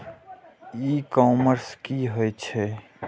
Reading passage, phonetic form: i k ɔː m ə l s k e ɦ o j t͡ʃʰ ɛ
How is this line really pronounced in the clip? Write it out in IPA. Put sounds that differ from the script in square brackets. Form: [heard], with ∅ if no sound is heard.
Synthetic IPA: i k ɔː m ə [ɾ] s k [i] ɦ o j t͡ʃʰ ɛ